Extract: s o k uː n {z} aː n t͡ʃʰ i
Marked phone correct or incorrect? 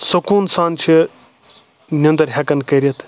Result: incorrect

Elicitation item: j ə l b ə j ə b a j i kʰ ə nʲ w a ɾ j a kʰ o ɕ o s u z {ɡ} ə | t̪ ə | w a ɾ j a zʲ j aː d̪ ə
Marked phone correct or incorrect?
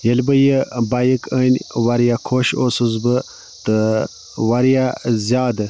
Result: incorrect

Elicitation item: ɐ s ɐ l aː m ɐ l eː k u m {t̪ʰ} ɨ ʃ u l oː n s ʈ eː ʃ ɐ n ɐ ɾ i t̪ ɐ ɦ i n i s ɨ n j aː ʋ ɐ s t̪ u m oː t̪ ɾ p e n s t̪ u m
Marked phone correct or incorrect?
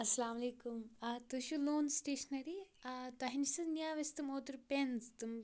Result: incorrect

